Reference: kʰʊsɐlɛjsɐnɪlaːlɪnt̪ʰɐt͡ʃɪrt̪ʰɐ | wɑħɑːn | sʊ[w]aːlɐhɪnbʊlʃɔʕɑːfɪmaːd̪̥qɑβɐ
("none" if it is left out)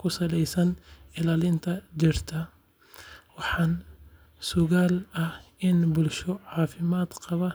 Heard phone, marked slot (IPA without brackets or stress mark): ɣ